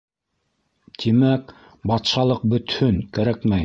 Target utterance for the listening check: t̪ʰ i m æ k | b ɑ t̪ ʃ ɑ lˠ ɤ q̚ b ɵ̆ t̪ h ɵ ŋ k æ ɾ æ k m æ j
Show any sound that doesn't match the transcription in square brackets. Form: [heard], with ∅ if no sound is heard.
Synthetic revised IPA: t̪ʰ i m æ k | b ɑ t̪ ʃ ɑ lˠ ɤ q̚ b ɵ̆ t̪ h ɵ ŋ k æ ɾ æ k m æ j